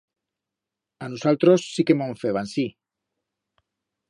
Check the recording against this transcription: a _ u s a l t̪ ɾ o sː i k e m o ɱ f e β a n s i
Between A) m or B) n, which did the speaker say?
B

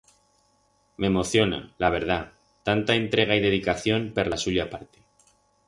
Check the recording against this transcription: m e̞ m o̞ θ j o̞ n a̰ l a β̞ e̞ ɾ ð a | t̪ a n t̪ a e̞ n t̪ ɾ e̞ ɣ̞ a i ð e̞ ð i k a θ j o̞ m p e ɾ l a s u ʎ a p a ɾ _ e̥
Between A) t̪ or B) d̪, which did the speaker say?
A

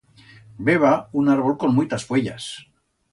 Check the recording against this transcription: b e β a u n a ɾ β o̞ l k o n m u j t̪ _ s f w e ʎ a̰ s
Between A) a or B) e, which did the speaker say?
A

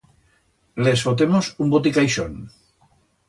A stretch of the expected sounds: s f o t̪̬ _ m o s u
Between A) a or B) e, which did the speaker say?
B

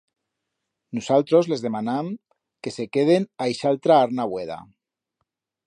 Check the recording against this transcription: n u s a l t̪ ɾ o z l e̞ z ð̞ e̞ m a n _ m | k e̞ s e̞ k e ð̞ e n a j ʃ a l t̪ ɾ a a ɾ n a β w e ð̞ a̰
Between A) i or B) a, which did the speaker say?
B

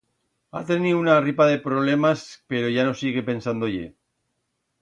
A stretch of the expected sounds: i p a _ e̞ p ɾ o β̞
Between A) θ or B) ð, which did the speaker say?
B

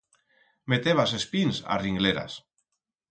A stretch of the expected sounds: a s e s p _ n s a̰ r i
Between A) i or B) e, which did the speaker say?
A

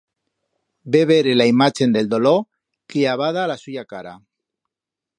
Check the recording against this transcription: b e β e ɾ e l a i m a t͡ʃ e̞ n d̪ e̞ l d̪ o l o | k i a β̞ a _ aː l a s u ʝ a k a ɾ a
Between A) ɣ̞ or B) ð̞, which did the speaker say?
B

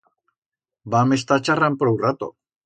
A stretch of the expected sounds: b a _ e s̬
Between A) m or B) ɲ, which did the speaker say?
A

